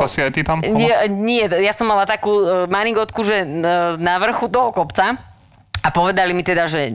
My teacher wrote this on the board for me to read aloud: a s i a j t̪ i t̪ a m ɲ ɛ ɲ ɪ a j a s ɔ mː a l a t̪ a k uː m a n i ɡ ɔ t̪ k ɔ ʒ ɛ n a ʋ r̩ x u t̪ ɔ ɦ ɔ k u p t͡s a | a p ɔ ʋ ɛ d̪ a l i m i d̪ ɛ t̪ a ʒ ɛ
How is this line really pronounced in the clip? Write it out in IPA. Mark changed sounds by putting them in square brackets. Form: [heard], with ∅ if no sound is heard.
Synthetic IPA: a s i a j t̪ i t̪ a m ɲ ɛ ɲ ɪ [ɛ] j a s ɔ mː a l a t̪ a k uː m a n i ɡ ɔ t̪ k [u] ʒ ɛ n a ʋ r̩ x u t̪ ɔ ɦ ɔ k [ɔ] p t͡s a | a p ɔ ʋ ɛ d̪ a l i m i [t̪] ɛ [d̪] a ʒ ɛ